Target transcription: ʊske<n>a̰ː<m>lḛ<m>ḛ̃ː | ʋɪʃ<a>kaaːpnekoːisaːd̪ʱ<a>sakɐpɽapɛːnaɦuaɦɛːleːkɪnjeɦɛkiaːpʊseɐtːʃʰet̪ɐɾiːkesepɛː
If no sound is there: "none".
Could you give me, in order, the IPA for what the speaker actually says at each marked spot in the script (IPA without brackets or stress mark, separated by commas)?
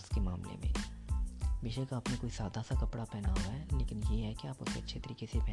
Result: m, m, m, e, a